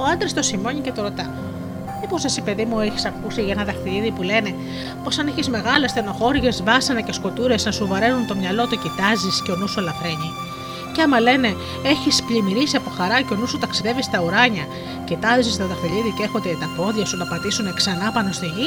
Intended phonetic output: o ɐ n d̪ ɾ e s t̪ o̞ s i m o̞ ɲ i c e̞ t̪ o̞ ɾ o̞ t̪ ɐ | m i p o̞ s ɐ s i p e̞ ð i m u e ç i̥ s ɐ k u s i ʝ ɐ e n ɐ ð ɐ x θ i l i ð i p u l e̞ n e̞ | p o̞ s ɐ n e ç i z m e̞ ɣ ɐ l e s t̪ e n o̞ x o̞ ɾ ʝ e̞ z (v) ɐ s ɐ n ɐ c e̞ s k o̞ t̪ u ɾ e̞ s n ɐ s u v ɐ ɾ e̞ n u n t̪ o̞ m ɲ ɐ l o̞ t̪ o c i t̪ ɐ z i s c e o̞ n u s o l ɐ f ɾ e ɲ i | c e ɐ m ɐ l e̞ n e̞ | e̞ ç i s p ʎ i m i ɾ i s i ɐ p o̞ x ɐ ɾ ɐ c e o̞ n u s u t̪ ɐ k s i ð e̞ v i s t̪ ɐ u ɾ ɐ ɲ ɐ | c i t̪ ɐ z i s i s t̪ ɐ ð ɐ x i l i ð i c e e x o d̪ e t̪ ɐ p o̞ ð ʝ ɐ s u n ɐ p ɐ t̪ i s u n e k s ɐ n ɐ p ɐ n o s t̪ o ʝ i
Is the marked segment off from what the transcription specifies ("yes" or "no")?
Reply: no